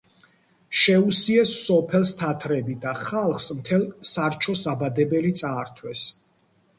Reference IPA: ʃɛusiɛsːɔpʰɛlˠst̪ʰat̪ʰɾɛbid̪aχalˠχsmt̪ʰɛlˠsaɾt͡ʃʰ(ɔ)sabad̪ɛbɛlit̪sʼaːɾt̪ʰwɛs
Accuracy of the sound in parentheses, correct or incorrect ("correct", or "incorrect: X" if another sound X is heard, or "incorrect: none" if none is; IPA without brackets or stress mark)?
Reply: correct